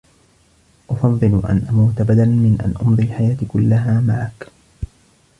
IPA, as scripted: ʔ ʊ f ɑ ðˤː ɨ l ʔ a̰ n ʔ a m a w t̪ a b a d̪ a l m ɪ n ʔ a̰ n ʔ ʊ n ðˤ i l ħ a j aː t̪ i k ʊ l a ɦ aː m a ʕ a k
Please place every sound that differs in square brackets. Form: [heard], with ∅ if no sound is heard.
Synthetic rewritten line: ʔ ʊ f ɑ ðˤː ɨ l ʔ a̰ n ʔ a m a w t̪ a b a d̪ a l m ɪ n ʔ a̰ n ʔ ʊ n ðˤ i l ħ a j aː t̪ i k ʊ [lː] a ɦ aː m a ʕ a k